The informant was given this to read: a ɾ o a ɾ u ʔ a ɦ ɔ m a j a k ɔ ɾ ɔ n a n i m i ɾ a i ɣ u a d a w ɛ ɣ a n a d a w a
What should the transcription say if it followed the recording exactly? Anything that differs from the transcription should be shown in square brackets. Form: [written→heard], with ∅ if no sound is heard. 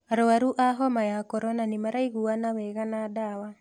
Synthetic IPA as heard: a ɾ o a ɾ u ʔ a ɦ ɔ m a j a k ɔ ɾ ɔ n a n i m [i→a] ɾ a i ɣ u a [d→n] a w ɛ ɣ a n a d a w a